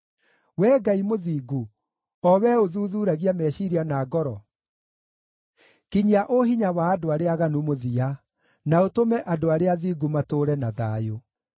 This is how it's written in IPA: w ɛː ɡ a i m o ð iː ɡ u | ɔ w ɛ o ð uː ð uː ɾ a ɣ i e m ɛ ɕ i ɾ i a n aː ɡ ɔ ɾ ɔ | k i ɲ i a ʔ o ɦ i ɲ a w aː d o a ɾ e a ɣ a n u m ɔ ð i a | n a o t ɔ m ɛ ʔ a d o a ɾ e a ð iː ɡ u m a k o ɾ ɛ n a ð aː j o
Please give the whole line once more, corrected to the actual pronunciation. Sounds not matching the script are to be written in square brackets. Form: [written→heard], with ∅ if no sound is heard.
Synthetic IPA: w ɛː ɡ a i m o ð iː ɡ u | ɔ w ɛ o ð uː ð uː ɾ a ɣ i [e→a] m ɛ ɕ i ɾ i a n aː ɡ ɔ ɾ ɔ | k i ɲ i a ʔ o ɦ i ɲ a w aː d o a ɾ e a ɣ a n u m [ɔ→o] ð i a | n a o t [ɔ→o] m ɛ ʔ a d o a ɾ e a ð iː ɡ u m a [k→t] o ɾ ɛ n a ð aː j o

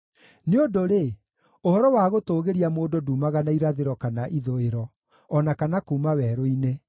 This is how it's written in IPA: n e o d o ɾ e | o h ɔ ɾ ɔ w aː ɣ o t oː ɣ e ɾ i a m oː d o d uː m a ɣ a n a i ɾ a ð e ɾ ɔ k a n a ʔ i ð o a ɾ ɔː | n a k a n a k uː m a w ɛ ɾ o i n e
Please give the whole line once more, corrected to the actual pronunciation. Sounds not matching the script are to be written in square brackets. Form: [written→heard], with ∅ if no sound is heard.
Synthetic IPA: n e o d o ɾ e | o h ɔ ɾ ɔ w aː ɣ o t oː ɣ e ɾ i a m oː d o d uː m a ɣ a n a i ɾ a ð e ɾ ɔ k a n a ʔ i ð o [a→e] ɾ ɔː | n a k a n a k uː m a w ɛ ɾ o i n e

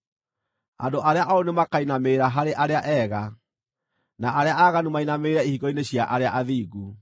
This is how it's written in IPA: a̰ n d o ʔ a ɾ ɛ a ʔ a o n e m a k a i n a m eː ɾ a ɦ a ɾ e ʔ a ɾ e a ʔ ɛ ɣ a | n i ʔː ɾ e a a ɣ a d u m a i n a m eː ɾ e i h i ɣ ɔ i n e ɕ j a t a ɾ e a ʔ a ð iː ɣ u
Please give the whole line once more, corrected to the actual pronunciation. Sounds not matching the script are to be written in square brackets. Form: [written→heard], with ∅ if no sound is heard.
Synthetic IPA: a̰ n d o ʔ a ɾ [ɛ→e] a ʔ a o n e m a k a i n a m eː ɾ a ɦ a ɾ e ʔ a ɾ e a ʔ ɛ ɣ a | n [i→a] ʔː ɾ e a a ɣ a [d→n] u m a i n a m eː ɾ [e→a] i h i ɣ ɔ i n e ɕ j a [t→ʔ] a ɾ e a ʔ a ð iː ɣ u

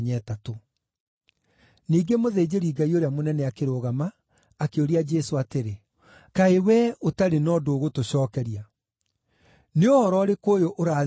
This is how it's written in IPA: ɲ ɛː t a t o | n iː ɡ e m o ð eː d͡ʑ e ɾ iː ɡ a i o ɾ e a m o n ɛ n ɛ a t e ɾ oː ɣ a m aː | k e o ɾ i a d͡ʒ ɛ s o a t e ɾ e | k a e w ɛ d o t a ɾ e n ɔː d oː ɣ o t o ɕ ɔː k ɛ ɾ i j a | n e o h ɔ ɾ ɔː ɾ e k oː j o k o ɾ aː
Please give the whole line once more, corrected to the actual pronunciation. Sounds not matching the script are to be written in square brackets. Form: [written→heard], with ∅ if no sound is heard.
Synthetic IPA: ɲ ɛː t a t o | n iː ɡ e m o ð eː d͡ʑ e ɾ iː ɡ a i o ɾ e a m o n ɛ n ɛ a [t→k] e ɾ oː ɣ a m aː | k e o ɾ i a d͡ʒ ɛ s o a t e ɾ e | k a e w ɛ [d→∅] o t a ɾ e n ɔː d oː ɣ o t o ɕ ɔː k ɛ ɾ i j a | n e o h ɔ ɾ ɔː ɾ e k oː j o [k→ʔ] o ɾ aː

